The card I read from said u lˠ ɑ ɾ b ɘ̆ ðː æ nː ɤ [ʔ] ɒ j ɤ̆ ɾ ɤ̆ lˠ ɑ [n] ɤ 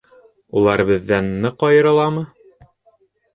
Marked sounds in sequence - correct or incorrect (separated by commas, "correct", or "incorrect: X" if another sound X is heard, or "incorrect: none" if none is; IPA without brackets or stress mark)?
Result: incorrect: q, incorrect: m